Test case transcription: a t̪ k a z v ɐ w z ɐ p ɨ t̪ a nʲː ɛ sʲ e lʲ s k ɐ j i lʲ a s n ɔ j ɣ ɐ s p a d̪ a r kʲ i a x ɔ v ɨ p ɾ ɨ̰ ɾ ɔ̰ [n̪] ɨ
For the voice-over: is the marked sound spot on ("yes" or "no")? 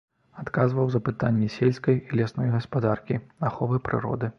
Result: no